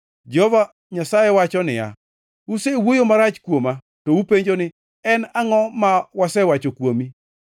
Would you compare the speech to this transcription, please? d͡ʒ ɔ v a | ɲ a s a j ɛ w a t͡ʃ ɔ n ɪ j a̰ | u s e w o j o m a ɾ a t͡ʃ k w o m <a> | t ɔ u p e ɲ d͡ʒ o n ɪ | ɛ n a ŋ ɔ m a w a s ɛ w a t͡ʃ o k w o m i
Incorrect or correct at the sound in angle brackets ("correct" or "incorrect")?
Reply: correct